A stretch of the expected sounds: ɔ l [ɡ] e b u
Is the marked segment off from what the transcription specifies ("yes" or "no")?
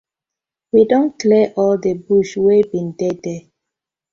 yes